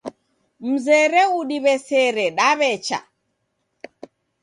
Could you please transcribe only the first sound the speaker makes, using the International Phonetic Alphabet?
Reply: m̩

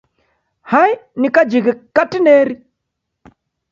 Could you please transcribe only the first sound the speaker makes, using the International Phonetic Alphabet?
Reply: h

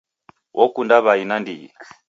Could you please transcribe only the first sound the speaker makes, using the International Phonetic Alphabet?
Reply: w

